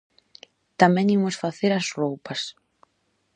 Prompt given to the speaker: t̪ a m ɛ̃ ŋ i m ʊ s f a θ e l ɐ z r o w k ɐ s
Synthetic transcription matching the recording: t̪ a m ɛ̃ ŋ i m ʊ s f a θ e ɾ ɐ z r o w p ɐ s